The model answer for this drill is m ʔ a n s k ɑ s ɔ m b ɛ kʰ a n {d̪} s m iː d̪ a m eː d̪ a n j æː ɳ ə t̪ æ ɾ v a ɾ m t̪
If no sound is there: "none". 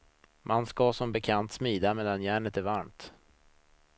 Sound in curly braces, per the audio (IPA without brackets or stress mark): t̪